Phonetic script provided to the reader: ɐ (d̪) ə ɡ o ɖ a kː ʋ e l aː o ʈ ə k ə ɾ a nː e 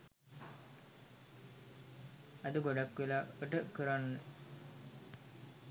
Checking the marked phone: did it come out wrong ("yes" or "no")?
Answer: no